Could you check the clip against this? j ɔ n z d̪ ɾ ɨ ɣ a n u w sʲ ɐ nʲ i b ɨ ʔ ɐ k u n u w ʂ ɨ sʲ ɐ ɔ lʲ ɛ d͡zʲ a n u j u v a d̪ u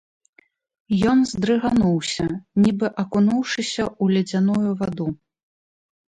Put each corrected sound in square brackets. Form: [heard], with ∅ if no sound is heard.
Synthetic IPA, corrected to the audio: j ɔ n z d̪ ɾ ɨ ɣ a n u w sʲ ɐ nʲ i b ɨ ʔ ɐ k u n u w ʂ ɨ sʲ ɐ [u] lʲ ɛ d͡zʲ a n u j u v a d̪ u